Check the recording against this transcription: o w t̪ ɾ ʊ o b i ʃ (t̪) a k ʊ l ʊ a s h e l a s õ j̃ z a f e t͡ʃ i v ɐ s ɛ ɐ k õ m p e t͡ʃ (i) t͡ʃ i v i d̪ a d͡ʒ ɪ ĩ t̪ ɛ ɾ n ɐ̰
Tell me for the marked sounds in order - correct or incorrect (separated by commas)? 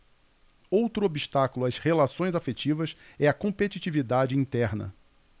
correct, correct